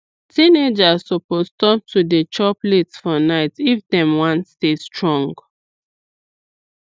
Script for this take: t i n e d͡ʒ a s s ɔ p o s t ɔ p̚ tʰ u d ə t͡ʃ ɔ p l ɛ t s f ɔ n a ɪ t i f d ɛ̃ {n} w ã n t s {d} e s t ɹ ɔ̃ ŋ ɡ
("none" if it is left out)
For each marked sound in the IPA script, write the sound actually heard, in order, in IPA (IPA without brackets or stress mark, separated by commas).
m, t